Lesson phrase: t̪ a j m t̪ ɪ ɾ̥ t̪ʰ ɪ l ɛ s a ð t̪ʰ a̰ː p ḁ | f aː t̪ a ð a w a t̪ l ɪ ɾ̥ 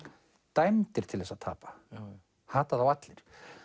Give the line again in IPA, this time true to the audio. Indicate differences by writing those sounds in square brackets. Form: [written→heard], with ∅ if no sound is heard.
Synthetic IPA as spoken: t̪ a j m t̪ ɪ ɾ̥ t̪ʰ ɪ l ɛ s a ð t̪ʰ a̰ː p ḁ | [f→h] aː t̪ a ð a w a t̪ l ɪ ɾ̥